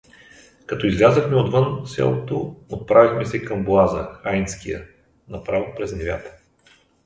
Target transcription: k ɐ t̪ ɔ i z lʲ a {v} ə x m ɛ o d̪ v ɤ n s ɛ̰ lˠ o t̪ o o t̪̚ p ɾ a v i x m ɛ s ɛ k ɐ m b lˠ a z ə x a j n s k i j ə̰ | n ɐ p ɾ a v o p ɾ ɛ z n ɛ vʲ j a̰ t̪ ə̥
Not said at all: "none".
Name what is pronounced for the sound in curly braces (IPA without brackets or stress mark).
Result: z